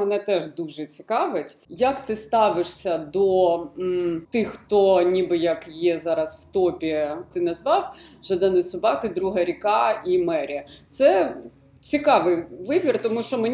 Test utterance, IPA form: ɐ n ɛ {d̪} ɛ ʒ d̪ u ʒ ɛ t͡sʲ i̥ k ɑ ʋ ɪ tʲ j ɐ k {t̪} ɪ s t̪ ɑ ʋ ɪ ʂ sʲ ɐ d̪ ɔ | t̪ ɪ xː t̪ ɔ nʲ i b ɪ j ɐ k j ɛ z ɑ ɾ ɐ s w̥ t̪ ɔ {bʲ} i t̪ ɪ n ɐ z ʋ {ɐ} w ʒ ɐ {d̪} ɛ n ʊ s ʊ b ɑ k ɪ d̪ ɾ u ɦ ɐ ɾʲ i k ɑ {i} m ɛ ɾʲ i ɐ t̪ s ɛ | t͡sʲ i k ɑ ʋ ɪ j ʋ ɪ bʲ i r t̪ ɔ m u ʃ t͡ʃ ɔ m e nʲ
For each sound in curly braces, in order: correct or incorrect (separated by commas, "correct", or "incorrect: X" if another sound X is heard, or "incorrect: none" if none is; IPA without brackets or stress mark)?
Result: incorrect: t̪, correct, incorrect: pʲ, incorrect: ɑ, correct, correct